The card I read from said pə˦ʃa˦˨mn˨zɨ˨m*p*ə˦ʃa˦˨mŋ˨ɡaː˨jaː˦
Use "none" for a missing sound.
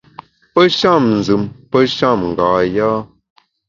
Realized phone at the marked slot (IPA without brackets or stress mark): p